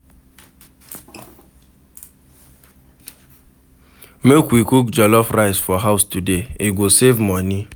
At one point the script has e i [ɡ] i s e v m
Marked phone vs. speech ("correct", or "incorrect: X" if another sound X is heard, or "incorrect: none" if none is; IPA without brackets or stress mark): correct